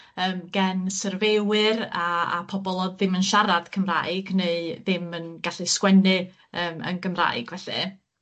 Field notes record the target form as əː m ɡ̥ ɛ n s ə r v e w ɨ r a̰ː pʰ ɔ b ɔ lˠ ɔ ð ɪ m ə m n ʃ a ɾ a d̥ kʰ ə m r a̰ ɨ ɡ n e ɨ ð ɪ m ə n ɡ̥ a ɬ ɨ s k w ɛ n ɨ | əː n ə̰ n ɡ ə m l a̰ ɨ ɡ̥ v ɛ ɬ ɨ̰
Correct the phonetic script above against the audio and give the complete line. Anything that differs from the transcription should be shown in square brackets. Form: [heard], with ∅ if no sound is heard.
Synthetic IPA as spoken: əː m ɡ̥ ɛ n s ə r v e w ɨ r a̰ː pʰ ɔ b ɔ lˠ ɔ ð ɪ m ə [∅] n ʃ a ɾ a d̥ kʰ ə m r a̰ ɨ ɡ n e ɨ ð ɪ m ə n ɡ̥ a ɬ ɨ s k w ɛ n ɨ | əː [m] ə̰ n ɡ ə m [r] a̰ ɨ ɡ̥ v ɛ ɬ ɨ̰